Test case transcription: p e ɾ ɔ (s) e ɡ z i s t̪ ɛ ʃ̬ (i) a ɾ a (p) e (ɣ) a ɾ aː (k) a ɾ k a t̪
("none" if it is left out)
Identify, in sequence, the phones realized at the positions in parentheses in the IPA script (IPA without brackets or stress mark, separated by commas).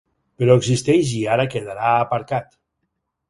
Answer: none, i, k, ð, p